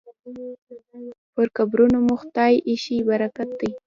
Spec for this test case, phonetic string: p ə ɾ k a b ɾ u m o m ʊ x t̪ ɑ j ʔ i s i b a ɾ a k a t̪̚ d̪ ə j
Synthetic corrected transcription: p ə ɾ k a b ɾ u n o m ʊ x t̪ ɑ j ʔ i ʃ i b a ɾ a k a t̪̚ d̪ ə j